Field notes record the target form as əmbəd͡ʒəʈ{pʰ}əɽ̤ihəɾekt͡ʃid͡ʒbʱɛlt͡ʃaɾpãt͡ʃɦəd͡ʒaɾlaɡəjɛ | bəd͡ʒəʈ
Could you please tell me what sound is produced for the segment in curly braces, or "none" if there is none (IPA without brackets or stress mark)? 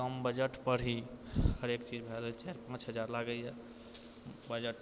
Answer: p